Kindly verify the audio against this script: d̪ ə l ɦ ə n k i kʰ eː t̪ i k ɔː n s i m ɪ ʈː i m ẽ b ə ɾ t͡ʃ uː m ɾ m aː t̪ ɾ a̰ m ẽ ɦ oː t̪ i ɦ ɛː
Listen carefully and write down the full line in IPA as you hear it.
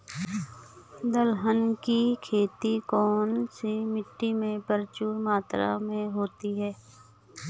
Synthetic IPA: d̪ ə l ɦ ə n k i kʰ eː t̪ i k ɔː n s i m ɪ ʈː i m ẽ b ə ɾ t͡ʃ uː ɾ m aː t̪ ɾ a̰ m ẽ ɦ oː t̪ i ɦ ɛː